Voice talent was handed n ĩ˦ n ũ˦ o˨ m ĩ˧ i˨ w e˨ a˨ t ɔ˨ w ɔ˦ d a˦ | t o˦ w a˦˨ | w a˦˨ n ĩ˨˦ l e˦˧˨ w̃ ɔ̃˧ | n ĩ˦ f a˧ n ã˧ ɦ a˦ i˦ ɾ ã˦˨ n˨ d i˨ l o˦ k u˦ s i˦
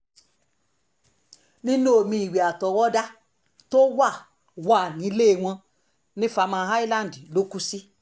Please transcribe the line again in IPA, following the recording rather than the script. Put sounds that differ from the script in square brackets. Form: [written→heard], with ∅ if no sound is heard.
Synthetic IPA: n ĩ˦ n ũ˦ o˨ m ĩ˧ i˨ w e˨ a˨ t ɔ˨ w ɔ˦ d a˦ | t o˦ w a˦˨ | w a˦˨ n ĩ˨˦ l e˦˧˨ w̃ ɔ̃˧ | n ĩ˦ f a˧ [n→m] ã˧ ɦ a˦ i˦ [ɾ→l] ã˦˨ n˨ d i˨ l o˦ k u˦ s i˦